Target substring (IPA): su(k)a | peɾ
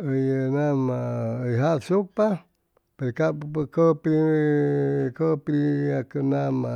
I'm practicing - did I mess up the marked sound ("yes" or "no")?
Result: yes